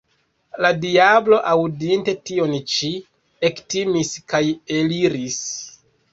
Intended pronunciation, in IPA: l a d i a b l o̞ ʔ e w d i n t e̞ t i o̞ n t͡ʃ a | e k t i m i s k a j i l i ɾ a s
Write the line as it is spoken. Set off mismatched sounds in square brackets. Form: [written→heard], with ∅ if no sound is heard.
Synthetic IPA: l a d i a b l o̞ ʔ [e→a] w d i n t e̞ t i o̞ n t͡ʃ [a→i] | e k t i m i s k a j [i→e] l i ɾ [a→i] s

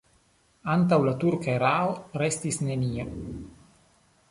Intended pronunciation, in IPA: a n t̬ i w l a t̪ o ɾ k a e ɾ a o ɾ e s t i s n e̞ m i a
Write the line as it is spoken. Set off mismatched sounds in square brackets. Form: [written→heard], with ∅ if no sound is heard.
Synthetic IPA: a n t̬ [i→a] w l a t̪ [o→u] ɾ k a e ɾ a o ɾ e s t i s n e̞ [m→n] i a

